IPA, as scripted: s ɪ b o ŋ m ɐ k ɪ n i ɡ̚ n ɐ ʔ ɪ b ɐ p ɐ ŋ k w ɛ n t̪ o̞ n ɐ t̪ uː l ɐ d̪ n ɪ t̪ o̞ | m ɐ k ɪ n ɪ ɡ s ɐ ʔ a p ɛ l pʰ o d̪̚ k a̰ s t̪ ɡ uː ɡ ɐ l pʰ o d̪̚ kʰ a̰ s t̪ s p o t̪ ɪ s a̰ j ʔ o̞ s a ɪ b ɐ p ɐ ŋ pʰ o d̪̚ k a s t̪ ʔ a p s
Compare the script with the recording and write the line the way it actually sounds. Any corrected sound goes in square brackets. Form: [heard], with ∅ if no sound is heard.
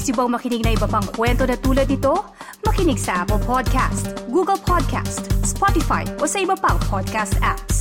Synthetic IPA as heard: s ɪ b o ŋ m ɐ k ɪ n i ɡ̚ n ɐ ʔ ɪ b ɐ p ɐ ŋ k w ɛ n t̪ o̞ n ɐ t̪ uː l ɐ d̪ n ɪ t̪ o̞ | m ɐ k ɪ n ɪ ɡ s ɐ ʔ a p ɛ l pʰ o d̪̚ k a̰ s t̪ ɡ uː ɡ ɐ l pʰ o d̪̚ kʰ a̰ s t̪ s p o t̪ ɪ [f] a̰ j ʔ o̞ s [ɐ] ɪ b ɐ p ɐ ŋ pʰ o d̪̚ k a s t̪ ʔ a p s